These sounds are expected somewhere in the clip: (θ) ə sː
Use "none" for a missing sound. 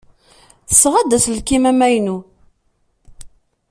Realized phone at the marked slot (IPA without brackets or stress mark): θ